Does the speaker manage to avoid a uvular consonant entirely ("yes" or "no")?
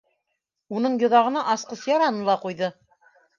no